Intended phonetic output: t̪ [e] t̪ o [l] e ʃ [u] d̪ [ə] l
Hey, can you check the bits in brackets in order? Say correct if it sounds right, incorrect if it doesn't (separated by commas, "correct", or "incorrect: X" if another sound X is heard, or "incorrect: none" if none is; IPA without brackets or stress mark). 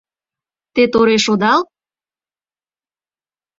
correct, incorrect: ɾ, incorrect: o, incorrect: ɑ